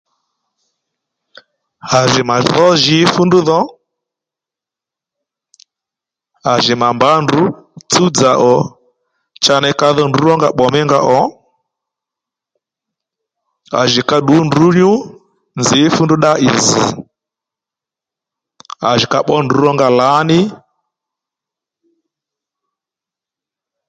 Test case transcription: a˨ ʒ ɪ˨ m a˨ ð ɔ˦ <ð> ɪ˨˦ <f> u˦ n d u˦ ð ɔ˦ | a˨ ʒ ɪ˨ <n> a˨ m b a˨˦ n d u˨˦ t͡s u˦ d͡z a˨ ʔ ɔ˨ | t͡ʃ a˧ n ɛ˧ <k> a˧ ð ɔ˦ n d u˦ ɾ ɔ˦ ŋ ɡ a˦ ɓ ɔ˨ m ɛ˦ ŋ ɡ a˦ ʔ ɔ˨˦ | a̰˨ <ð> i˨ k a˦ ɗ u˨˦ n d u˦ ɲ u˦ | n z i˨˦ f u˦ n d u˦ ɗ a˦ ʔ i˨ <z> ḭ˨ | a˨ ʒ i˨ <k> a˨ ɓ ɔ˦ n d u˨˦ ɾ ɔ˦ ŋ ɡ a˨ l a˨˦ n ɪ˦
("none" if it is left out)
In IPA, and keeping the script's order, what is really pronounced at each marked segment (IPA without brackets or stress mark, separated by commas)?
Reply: ʒ, f, m, k, ʒ, z, k